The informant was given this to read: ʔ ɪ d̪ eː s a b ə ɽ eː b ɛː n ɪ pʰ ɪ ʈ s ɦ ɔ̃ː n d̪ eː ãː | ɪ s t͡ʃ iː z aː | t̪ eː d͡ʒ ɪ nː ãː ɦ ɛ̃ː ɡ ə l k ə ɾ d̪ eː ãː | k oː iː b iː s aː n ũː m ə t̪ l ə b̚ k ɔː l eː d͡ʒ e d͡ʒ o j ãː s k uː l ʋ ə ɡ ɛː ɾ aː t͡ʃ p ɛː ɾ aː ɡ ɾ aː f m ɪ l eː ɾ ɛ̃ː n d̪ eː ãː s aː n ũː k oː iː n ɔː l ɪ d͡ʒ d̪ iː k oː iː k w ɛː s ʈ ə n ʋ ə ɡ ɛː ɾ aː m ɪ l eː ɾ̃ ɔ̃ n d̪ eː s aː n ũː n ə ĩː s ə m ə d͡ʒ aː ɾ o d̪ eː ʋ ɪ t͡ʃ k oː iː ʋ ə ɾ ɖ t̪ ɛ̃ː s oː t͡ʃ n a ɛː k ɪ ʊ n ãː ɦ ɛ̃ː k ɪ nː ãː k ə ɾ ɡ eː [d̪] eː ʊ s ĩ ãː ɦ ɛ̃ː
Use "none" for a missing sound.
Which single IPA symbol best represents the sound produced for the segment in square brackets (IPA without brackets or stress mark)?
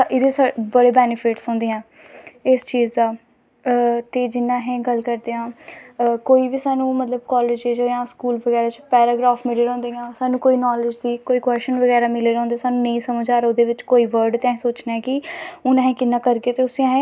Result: t̪